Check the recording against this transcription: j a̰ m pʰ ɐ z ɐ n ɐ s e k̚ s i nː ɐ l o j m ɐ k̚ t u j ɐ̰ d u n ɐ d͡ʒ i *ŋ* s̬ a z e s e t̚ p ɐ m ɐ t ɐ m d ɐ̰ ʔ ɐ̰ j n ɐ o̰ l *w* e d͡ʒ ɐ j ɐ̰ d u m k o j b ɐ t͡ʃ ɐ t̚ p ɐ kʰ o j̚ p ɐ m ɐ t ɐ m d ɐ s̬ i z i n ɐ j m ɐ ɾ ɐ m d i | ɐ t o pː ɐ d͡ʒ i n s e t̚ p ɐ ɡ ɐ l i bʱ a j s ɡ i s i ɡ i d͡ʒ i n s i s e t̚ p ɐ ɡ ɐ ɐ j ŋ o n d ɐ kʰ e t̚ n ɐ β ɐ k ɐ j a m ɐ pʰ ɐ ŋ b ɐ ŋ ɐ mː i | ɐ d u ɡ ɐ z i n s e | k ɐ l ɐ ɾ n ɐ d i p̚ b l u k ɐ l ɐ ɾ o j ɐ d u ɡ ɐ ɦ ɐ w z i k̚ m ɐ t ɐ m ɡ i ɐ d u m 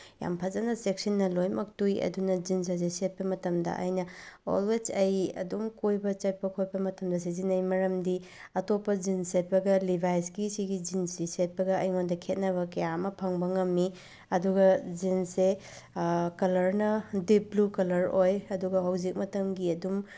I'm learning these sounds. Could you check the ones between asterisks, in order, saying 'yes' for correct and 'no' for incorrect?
no, yes

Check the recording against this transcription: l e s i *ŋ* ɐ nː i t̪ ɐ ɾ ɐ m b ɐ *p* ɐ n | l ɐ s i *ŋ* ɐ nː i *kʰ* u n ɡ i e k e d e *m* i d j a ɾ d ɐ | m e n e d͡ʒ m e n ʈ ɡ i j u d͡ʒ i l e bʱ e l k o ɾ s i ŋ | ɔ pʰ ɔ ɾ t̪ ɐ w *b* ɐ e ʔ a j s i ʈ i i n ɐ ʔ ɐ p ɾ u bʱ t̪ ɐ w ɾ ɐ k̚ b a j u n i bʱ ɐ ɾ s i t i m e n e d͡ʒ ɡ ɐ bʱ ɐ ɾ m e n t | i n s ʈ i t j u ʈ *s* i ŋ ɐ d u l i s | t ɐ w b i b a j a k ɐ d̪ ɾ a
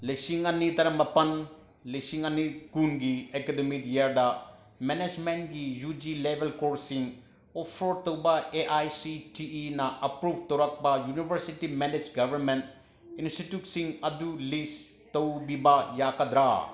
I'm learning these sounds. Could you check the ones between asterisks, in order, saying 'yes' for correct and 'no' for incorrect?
yes, yes, yes, no, yes, yes, yes

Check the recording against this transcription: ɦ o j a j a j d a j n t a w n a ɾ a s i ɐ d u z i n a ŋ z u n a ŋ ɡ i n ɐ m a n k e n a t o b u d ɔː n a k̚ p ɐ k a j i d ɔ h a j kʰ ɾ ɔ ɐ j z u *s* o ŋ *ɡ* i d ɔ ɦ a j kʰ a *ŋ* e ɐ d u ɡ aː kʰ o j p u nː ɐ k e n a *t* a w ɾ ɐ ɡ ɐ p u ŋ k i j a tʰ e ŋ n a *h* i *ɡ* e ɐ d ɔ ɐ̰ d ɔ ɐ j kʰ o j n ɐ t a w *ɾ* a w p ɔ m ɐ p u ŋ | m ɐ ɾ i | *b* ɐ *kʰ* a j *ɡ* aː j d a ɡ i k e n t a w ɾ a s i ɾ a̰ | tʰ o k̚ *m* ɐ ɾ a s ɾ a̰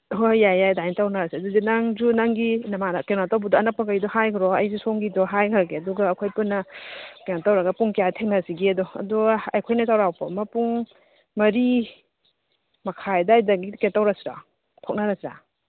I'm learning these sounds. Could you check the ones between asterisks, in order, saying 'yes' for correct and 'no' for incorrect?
yes, yes, no, yes, no, yes, yes, no, yes, no, no

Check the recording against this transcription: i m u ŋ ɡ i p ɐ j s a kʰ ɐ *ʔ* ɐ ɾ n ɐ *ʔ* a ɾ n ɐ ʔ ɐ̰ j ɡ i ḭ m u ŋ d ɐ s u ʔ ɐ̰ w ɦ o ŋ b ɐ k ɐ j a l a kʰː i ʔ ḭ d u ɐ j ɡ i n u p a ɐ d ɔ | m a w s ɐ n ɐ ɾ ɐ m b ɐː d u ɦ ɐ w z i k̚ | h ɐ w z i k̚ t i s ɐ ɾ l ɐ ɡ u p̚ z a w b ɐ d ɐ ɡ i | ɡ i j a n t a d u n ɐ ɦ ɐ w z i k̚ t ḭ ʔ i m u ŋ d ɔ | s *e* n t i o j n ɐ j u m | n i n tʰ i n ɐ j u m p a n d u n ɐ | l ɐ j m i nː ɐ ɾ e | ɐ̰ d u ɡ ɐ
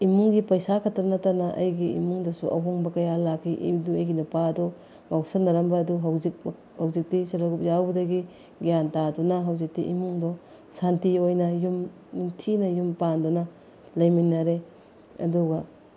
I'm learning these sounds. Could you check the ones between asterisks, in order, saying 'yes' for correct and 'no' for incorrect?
no, no, no

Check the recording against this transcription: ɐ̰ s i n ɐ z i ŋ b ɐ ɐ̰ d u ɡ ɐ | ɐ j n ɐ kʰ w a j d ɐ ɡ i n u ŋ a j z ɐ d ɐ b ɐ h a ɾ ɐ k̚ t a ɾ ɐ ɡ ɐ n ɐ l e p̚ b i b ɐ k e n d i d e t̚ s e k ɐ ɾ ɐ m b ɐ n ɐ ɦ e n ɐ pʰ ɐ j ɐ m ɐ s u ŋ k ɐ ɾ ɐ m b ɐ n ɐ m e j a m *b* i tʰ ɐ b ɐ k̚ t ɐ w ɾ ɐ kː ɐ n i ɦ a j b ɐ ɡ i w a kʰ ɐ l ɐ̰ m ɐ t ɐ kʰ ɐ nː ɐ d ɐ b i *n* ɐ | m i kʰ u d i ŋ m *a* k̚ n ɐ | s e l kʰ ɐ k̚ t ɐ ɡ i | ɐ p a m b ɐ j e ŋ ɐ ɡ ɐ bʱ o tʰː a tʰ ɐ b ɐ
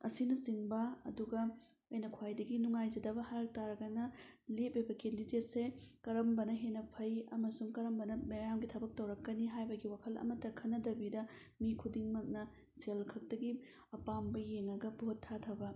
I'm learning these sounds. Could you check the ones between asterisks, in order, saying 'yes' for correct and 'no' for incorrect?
no, no, no

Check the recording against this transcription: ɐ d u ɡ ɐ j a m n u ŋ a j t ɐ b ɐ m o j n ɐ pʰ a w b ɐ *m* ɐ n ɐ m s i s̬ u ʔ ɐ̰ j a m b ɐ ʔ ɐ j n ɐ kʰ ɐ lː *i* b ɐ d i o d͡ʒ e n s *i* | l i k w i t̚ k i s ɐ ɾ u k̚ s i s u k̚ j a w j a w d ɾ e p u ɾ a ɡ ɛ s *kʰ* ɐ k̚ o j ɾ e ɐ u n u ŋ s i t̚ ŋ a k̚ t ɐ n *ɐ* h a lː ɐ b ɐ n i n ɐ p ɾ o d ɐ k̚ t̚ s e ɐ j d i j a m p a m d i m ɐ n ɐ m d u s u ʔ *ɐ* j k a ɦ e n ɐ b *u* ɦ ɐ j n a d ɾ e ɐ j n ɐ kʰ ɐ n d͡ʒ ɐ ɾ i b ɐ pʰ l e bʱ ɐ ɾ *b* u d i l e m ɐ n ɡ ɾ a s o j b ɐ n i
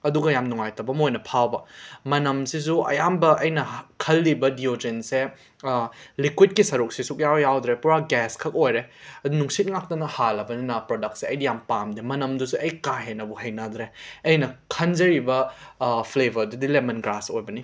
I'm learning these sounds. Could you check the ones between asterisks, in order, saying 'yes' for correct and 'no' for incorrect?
yes, yes, no, yes, yes, yes, yes, no

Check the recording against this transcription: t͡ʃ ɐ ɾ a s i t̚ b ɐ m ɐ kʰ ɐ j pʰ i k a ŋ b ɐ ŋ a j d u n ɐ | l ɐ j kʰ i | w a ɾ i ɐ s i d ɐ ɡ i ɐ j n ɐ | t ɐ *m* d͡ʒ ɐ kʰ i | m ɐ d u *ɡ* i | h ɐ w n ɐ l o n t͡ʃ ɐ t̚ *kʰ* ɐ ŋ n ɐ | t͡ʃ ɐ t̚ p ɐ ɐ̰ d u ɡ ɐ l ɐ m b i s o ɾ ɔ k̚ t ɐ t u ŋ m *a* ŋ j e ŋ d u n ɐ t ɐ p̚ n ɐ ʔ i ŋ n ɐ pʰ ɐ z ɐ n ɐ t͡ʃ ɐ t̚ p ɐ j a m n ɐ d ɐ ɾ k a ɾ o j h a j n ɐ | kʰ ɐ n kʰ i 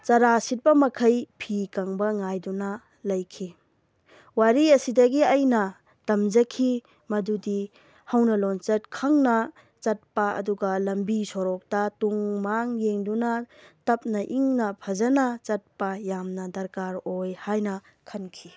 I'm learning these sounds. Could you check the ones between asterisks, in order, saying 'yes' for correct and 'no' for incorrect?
yes, no, yes, yes

